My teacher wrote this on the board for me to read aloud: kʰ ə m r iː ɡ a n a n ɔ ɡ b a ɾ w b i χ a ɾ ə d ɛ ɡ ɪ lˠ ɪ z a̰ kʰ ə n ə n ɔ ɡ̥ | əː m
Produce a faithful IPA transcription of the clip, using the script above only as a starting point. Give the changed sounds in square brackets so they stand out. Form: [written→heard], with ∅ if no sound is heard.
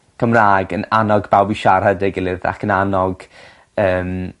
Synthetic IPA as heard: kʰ ə m r [iː→aː] ɡ [a→ə] n a n ɔ ɡ b a [ɾ→∅] w b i [χ→ʃ] a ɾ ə d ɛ ɡ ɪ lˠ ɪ [z→ð] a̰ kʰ ə n [ə→a] n ɔ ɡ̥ | əː m

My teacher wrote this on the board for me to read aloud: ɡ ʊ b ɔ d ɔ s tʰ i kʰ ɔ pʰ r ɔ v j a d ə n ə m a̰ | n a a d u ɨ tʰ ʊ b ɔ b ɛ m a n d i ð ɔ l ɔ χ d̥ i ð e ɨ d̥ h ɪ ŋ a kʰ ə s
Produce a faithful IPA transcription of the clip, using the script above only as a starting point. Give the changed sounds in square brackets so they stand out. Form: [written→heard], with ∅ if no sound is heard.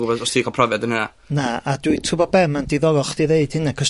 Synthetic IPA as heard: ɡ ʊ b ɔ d ɔ s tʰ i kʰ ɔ pʰ r ɔ v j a d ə n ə [m→n] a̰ | n a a d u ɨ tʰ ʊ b ɔ b ɛ m a n d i ð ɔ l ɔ χ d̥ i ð e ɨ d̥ h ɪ [ŋ→n] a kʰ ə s

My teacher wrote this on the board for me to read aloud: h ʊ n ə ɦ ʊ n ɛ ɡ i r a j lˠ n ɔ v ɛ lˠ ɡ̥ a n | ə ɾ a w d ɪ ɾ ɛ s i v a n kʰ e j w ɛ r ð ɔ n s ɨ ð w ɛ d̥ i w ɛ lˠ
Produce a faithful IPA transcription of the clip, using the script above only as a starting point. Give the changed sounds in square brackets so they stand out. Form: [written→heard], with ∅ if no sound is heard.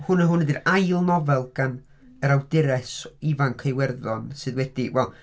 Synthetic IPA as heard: h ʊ n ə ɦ ʊ n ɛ [ɡ→d] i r a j lˠ n ɔ v ɛ lˠ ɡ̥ a n | ə ɾ a w d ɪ ɾ ɛ s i v a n kʰ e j w ɛ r ð ɔ n s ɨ ð w ɛ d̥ i w ɛ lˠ

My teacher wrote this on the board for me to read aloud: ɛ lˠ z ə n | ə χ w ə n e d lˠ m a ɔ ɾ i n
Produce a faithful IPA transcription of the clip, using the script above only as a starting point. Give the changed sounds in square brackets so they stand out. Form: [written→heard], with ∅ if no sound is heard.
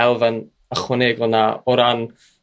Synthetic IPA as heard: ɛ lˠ [z→v] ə n | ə χ w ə n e [d→ɡ] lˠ [m→n] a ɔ ɾ [i→a] n

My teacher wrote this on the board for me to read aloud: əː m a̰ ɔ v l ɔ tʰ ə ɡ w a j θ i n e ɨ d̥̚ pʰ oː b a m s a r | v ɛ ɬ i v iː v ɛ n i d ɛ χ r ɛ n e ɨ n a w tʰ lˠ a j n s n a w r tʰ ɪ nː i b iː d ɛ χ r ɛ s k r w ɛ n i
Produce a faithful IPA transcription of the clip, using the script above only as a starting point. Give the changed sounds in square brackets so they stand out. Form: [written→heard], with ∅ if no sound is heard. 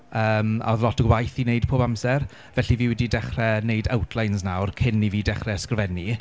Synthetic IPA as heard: əː m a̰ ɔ [v→ð] l ɔ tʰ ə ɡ w a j θ i n e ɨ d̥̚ pʰ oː b a m s [a→ɛ] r | v ɛ ɬ i v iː [v→w] ɛ [n→d] i d ɛ χ r ɛ n e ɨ [n→d] a w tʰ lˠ a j n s n a w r [tʰ→kʰ] ɪ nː i [b→v] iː d ɛ χ r ɛ s k r [w→v] ɛ n i

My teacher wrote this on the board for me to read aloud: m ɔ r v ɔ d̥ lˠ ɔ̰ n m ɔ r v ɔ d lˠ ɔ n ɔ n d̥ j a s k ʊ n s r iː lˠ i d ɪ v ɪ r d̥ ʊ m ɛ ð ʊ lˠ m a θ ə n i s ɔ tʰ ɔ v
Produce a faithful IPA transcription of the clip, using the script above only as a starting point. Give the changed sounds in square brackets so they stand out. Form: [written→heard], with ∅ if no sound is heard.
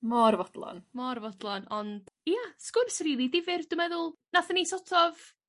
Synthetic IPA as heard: m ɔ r v ɔ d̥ lˠ ɔ̰ n m ɔ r v ɔ d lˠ ɔ n ɔ n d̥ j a s k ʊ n s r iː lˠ i d ɪ v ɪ r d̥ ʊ m ɛ ð ʊ lˠ [m→n] a θ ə n i s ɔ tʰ ɔ v

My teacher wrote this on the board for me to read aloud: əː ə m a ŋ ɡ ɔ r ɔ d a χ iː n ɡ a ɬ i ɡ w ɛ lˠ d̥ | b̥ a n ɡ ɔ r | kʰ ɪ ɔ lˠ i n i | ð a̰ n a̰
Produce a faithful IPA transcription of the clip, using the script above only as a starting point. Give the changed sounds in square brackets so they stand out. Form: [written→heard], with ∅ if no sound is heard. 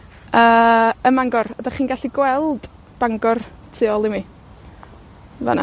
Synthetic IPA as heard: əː ə m a ŋ ɡ ɔ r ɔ d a χ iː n ɡ a ɬ i ɡ w ɛ lˠ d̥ | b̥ a [n→ŋ] ɡ ɔ r | [kʰ→tʰ] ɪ ɔ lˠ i [n→m] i | [ð→v] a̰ n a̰

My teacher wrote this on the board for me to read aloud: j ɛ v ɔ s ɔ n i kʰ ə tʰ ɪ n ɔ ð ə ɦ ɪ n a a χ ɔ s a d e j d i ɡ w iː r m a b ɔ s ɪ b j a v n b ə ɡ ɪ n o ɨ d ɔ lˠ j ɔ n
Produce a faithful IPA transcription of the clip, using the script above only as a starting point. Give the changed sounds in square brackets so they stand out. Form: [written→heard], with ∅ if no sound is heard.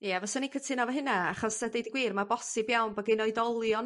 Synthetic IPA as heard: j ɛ v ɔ s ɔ n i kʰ ə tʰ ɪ n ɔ [ð→v] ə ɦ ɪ n a a χ ɔ s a d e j d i ɡ w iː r m a b ɔ s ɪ b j a [v→w] n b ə ɡ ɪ n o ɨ d ɔ lˠ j ɔ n

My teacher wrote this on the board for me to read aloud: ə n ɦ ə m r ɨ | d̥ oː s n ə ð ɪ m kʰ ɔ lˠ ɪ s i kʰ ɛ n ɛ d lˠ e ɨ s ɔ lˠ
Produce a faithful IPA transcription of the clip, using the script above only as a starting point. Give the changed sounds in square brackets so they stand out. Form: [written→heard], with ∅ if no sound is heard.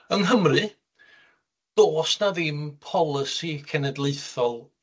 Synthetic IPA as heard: ə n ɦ ə m r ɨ | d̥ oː s n [ə→a] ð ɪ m [kʰ→pʰ] ɔ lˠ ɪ s i kʰ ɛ n ɛ d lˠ e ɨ [s→θ] ɔ lˠ

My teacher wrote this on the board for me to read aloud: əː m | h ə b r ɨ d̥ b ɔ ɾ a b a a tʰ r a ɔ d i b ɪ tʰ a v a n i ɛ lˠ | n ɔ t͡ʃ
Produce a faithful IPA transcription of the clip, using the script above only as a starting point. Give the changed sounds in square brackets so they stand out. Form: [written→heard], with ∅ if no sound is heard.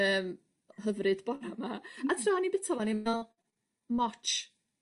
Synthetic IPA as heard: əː m | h ə [b→v] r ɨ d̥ b ɔ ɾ a [b→m] a a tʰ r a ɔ [d→n] i b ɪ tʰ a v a n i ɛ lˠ | [n→m] ɔ t͡ʃ

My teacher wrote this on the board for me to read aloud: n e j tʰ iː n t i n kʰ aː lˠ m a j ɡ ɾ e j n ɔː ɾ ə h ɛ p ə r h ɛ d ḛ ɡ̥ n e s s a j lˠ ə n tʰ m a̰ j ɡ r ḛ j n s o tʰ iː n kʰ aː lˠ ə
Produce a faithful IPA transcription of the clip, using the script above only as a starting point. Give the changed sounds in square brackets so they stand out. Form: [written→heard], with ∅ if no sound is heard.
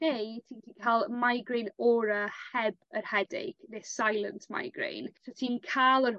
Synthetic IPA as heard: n e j tʰ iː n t i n kʰ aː lˠ m a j ɡ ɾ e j n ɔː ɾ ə h ɛ [p→b] ə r h ɛ d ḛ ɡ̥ n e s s a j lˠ ə n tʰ m a̰ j ɡ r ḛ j n s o tʰ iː n kʰ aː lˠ ə

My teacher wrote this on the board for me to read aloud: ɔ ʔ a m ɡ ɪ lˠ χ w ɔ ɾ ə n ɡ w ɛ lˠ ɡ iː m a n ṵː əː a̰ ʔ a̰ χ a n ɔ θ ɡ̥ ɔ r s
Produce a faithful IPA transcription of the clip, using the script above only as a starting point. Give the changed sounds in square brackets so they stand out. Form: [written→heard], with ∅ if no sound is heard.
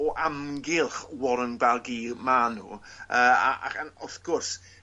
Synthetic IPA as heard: ɔ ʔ a m ɡ ɪ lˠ χ w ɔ ɾ ə n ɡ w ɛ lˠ ɡ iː m a n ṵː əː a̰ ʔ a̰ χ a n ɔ θ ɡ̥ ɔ r s

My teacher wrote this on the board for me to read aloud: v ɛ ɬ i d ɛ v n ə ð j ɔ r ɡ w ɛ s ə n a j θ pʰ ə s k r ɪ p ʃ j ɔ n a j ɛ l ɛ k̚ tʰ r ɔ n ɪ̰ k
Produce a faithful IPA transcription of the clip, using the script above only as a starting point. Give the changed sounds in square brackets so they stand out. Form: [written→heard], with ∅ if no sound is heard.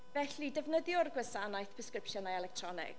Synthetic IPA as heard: v ɛ ɬ i d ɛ v n ə ð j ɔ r ɡ w ɛ s [ə→a] n a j θ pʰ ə s k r ɪ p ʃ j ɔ n a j ɛ l ɛ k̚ tʰ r ɔ n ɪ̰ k

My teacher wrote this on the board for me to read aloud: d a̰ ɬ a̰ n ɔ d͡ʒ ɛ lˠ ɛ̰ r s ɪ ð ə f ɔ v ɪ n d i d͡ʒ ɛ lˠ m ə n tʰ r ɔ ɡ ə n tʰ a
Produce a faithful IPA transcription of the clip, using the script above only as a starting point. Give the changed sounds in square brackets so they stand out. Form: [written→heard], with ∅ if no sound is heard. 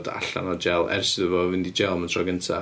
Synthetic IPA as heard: d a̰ ɬ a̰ n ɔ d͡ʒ ɛ lˠ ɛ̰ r s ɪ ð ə [f→v] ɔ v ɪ n d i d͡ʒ ɛ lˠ m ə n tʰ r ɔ ɡ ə n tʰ a

